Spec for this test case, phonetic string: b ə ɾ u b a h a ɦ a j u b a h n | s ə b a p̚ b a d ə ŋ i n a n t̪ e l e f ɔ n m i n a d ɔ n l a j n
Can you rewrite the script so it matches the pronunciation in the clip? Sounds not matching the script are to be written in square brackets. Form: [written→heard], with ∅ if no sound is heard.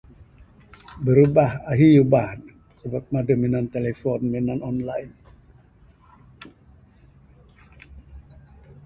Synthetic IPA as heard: b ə ɾ u b a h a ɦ [a→i] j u b a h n | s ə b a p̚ [b→m] a d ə [ŋ→m] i n a n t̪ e l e f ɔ n m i n a [d→n] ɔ n l a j n